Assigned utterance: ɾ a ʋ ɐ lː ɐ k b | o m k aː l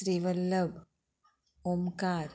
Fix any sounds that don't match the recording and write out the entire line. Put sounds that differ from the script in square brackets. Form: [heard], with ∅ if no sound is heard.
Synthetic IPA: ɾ [i] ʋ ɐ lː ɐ [∅] b | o m k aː [ɾ]